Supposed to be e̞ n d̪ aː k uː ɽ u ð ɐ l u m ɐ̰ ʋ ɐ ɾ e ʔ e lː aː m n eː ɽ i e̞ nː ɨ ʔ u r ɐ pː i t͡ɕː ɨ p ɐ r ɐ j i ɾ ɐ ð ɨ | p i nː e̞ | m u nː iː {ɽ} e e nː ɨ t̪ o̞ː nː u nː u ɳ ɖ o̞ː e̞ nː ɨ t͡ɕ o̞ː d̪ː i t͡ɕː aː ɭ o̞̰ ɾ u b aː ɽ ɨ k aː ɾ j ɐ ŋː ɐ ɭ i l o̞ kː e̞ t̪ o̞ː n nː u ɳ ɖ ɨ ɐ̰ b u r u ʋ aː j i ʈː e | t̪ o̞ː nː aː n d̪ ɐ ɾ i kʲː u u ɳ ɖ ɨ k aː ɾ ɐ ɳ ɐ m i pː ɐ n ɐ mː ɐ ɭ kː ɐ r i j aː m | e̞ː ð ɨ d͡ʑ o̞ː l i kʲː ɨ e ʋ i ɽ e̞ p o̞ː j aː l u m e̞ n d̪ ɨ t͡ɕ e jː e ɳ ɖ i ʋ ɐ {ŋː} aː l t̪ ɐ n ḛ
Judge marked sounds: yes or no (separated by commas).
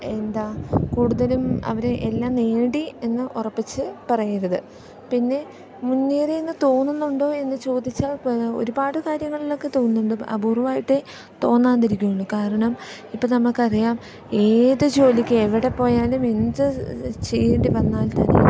no, no